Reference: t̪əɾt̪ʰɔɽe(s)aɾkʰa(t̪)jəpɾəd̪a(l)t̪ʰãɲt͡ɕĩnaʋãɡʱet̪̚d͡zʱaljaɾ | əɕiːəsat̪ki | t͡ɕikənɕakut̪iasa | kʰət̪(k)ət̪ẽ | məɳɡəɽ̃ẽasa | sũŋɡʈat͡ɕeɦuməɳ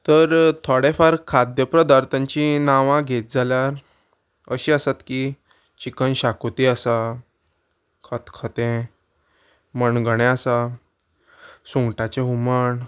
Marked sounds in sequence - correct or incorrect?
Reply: incorrect, incorrect, incorrect, incorrect

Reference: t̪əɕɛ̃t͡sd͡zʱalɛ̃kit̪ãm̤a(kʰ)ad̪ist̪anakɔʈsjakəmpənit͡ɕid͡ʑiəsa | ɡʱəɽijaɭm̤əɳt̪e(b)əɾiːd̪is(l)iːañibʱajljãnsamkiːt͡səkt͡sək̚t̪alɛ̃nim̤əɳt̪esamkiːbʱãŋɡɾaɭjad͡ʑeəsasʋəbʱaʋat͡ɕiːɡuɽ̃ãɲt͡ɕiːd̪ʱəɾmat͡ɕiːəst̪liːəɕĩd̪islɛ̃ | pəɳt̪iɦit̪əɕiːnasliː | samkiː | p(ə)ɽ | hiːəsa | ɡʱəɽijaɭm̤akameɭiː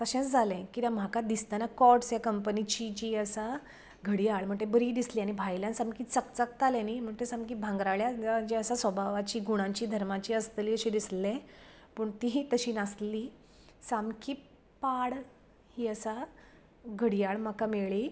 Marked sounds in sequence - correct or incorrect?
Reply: incorrect, correct, correct, incorrect

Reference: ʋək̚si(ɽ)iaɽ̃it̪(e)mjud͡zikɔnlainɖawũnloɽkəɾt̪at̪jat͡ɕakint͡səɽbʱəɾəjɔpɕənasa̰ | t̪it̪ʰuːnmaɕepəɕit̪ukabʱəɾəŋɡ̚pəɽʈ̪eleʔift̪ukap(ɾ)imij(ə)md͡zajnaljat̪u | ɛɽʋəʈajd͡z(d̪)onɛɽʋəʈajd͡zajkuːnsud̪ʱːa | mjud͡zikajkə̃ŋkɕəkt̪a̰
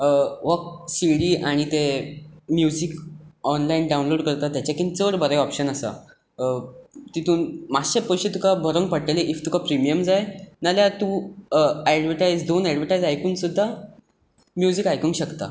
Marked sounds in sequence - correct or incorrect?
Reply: correct, correct, correct, correct, correct

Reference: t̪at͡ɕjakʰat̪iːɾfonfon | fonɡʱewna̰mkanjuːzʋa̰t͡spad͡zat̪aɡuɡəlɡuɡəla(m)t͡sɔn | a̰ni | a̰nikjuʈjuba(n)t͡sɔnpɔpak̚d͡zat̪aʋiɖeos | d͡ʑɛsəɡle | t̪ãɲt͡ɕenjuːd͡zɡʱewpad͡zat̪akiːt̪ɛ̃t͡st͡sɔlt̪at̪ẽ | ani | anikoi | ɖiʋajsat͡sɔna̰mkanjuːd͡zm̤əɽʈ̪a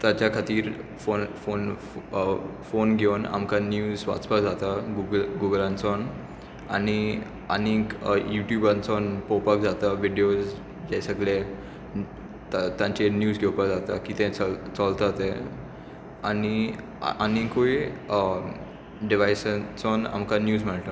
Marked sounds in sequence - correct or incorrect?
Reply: incorrect, correct

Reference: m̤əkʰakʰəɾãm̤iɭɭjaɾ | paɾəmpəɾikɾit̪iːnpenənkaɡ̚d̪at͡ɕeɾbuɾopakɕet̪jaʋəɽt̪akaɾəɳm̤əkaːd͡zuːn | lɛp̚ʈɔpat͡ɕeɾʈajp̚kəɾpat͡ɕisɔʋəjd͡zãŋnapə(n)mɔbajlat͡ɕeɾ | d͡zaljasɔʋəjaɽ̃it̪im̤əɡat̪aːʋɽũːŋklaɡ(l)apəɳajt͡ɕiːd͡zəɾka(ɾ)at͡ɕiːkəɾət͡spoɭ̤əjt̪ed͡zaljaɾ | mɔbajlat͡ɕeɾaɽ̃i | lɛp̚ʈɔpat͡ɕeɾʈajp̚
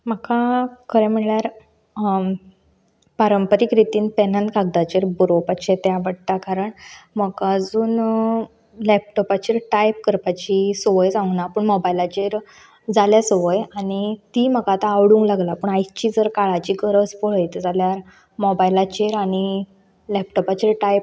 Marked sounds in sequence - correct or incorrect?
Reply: incorrect, correct, incorrect

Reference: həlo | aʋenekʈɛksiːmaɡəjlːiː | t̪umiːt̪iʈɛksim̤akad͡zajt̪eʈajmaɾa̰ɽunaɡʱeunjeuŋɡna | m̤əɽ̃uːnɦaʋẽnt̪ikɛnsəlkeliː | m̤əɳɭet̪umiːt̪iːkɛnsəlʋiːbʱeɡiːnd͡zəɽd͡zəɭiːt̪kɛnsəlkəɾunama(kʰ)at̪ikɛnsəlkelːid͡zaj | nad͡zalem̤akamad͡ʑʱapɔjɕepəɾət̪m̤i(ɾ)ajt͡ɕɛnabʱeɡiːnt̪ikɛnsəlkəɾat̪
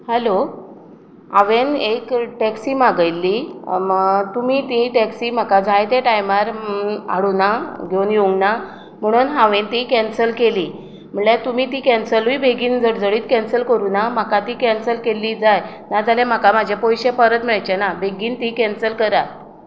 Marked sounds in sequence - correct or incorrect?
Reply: incorrect, incorrect

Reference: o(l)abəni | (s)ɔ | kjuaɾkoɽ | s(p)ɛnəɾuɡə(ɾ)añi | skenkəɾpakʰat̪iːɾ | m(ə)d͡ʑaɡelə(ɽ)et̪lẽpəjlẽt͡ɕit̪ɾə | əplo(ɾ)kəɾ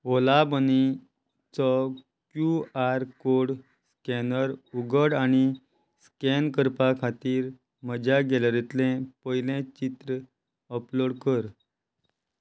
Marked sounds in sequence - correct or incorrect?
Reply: correct, incorrect, incorrect, incorrect, correct, incorrect, incorrect

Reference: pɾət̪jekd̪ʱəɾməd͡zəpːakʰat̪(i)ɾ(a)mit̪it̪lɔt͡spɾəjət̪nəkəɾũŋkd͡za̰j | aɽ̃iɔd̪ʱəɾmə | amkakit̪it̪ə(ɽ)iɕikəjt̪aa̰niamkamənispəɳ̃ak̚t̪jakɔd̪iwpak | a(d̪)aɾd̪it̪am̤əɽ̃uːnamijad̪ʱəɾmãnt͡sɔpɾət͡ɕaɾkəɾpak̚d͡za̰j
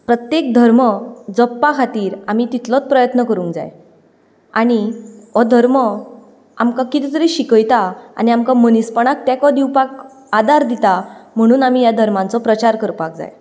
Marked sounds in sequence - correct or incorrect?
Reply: incorrect, correct, incorrect, correct

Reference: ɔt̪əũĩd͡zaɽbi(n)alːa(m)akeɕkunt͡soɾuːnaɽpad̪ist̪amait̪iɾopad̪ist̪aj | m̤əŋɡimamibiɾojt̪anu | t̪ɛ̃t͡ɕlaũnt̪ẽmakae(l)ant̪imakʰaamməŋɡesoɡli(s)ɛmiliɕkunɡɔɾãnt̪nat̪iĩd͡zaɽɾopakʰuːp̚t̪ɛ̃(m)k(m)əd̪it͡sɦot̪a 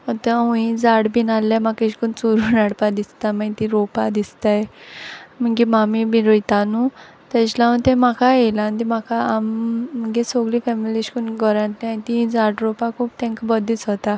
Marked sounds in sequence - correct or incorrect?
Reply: correct, correct, correct, incorrect, incorrect, incorrect

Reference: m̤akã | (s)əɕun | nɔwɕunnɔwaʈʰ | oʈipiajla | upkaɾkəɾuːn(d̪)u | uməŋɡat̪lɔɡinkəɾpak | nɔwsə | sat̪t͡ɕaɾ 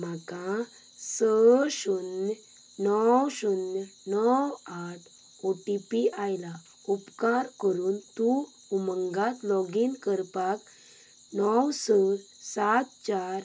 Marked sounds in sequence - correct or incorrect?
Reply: correct, incorrect

